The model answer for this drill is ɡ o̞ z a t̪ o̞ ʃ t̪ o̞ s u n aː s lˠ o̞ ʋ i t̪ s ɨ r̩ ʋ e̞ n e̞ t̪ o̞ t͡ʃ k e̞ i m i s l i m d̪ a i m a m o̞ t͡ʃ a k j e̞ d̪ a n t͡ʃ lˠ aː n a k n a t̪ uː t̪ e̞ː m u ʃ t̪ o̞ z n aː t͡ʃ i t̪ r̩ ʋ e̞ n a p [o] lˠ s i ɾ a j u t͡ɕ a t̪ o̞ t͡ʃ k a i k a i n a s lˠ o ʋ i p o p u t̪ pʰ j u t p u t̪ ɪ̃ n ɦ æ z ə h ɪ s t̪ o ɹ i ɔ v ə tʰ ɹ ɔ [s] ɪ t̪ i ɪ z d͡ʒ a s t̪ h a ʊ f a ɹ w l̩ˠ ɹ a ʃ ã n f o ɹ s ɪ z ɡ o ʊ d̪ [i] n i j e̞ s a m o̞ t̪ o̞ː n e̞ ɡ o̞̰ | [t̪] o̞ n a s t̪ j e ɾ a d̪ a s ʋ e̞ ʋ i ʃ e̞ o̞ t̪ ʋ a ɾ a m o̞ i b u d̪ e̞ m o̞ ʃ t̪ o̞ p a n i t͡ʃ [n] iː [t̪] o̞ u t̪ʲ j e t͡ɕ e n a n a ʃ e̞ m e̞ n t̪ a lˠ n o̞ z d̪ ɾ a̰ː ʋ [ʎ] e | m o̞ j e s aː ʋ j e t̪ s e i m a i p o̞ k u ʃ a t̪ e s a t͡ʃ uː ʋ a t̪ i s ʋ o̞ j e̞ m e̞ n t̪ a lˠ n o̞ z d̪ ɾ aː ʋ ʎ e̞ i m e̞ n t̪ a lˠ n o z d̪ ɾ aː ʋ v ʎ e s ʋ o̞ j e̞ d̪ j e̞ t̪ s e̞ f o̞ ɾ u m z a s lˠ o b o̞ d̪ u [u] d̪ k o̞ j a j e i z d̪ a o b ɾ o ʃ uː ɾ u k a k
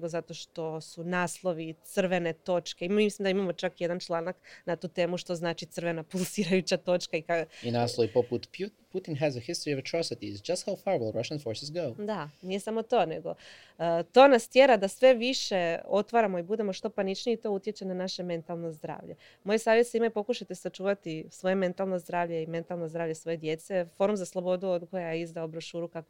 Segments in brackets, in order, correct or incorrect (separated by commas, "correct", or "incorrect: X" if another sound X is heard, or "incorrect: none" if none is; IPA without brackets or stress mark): incorrect: u, correct, incorrect: a, correct, correct, correct, correct, incorrect: o